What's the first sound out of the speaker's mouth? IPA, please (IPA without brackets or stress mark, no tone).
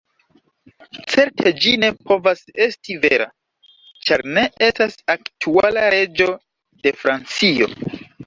t͡s